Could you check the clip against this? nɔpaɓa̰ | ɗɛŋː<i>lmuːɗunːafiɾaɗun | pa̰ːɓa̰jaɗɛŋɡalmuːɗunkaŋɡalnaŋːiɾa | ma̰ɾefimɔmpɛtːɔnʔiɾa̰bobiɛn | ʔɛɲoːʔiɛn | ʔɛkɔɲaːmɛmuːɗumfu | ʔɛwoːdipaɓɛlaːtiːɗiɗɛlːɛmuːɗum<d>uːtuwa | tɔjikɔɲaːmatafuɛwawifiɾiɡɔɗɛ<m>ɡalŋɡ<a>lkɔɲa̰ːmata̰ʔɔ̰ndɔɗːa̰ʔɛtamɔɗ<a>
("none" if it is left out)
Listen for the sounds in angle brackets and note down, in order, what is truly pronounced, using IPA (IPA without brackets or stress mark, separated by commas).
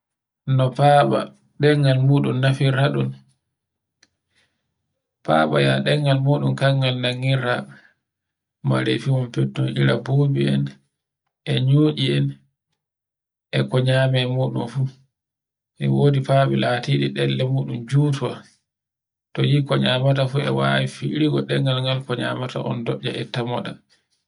a, d͡ʒ, ŋ, a, a